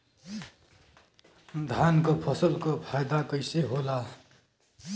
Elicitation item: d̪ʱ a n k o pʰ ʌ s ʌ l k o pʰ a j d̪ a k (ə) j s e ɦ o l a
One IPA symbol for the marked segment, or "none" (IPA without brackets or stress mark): ʌ